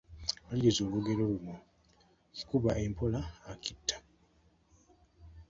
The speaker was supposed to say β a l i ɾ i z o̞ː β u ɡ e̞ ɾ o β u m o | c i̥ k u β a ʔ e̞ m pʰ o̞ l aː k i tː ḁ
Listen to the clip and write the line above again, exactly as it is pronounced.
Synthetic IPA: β a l i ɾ i z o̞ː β u ɡ e̞ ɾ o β u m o | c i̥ k u β a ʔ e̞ m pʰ o̞ l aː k i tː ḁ

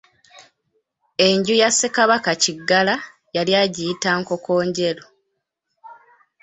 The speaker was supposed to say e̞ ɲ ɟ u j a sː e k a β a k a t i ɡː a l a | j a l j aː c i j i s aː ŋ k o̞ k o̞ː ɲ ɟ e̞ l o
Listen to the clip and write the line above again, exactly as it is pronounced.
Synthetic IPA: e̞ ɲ ɟ u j a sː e k a β a k a c i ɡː a l a | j a l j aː ɟ i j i t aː ŋ k o̞ k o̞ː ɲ ɟ e̞ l o

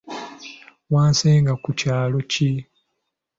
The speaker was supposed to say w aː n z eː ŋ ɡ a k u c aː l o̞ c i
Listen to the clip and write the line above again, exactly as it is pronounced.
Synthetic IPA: w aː n s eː ŋ ɡ a k u c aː l o̞ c i

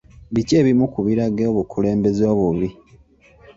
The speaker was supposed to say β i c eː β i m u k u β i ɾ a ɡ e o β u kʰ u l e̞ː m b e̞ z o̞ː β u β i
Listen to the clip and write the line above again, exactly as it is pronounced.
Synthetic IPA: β i c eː β i m u k u β i ɾ a ɡ e o β u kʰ u l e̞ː m b e̞ z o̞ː β u β i

